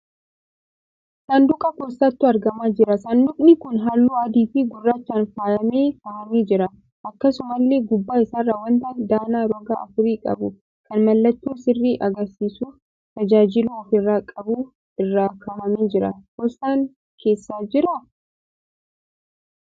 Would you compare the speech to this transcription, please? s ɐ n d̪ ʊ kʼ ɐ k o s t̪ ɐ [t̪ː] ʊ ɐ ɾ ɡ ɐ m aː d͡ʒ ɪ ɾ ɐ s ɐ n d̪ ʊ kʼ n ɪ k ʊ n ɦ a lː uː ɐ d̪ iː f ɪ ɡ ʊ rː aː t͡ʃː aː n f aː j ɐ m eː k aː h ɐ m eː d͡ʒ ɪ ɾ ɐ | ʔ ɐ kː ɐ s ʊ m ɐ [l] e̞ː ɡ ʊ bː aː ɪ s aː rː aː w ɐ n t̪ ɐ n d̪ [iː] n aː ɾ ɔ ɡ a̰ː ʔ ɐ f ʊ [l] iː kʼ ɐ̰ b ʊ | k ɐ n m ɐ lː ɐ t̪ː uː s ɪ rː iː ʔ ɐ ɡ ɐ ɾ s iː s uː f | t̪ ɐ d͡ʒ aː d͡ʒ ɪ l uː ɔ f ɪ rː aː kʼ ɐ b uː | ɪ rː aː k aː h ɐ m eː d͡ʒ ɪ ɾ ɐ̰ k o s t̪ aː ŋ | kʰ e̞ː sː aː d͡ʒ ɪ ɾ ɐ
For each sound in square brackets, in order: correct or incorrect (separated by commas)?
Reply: correct, incorrect, incorrect, incorrect